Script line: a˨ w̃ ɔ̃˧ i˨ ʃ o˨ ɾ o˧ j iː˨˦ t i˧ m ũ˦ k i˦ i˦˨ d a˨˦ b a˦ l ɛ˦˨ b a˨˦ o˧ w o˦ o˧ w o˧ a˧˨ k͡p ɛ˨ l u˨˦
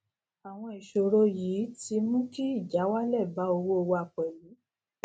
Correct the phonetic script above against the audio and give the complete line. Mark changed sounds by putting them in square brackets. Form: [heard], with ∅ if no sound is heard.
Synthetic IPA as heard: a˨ w̃ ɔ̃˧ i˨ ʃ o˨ ɾ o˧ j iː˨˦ t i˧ m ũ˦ k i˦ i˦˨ [d͡ʒ] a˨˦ [w] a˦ l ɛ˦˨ b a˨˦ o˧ w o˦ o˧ w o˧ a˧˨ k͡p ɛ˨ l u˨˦